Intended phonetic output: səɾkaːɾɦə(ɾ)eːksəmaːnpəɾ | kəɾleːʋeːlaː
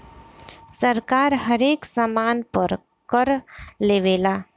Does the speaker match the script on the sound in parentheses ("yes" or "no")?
yes